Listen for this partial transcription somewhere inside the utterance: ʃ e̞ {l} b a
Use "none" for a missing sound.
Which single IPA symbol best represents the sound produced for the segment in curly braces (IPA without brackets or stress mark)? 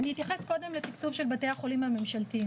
l